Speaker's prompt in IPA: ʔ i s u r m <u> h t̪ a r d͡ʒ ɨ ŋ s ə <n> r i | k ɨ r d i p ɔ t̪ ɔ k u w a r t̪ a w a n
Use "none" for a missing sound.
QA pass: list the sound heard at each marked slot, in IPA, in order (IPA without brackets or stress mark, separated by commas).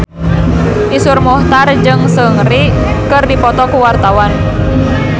ɔ, ŋ